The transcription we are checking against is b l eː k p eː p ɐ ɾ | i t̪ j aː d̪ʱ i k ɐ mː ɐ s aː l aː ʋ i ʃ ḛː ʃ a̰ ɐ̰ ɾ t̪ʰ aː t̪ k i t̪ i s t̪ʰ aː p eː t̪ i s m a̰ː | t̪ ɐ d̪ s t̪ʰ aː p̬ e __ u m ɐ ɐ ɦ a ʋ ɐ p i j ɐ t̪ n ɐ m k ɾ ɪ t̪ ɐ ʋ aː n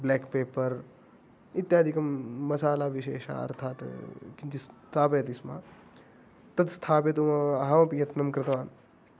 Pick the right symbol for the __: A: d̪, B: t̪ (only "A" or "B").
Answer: B